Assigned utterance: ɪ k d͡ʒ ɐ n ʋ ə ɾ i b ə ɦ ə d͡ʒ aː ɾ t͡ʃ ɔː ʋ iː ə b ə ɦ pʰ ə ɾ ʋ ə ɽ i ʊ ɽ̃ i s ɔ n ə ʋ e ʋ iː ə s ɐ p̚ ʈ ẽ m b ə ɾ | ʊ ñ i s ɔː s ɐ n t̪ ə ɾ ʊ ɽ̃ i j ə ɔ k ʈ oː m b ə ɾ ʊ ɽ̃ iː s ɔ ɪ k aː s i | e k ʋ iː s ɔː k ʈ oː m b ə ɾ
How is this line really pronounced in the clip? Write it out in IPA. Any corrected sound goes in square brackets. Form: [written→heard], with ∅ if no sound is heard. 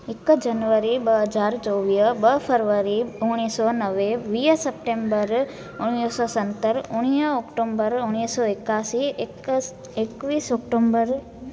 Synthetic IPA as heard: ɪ k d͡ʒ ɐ n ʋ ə ɾ i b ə ɦ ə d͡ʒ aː ɾ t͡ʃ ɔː ʋ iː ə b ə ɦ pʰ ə ɾ ʋ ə [ɽ→ɾ] i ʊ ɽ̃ i s ɔ n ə ʋ e ʋ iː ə s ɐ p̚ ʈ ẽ m b ə ɾ | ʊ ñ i s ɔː s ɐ n t̪ ə ɾ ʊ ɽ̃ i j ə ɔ k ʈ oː m b ə ɾ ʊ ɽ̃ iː s ɔ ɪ k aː s i | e k ʋ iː s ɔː k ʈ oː m b ə ɾ